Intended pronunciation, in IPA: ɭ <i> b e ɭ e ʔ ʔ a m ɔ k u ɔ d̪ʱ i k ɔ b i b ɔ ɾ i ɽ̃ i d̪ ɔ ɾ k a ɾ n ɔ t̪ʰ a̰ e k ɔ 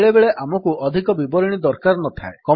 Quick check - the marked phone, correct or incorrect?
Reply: incorrect